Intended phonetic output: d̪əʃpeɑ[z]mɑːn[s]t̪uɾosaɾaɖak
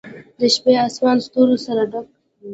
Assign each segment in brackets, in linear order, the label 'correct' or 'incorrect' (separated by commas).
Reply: incorrect, correct